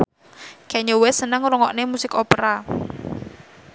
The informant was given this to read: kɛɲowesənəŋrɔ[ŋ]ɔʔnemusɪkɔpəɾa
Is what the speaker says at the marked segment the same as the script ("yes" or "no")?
yes